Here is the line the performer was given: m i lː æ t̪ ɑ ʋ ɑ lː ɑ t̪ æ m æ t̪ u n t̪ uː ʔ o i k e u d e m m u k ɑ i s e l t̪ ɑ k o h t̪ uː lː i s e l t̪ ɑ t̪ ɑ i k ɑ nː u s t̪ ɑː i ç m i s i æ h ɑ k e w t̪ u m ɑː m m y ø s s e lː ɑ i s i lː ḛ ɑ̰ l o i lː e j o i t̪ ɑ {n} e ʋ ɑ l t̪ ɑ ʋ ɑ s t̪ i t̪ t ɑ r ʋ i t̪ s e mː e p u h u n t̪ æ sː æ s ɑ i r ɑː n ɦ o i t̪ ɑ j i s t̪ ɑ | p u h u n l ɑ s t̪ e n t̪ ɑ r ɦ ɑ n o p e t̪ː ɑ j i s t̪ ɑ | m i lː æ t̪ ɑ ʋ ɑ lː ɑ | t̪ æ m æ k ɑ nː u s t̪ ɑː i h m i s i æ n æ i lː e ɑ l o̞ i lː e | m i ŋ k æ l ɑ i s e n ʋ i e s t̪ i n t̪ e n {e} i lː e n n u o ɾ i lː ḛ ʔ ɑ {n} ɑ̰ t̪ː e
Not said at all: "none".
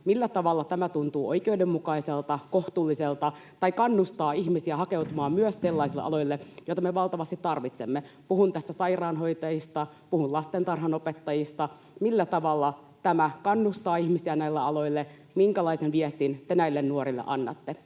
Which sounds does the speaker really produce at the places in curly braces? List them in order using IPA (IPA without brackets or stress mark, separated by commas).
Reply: m, æ, nː